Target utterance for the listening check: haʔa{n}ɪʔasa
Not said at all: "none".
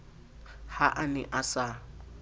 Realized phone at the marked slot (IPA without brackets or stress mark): n